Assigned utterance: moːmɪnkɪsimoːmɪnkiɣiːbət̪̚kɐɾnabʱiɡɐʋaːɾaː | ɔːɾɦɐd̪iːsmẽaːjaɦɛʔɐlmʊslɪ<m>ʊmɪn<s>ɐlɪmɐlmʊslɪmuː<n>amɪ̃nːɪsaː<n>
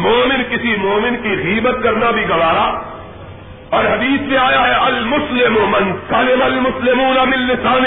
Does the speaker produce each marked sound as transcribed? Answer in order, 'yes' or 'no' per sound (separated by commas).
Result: yes, yes, yes, yes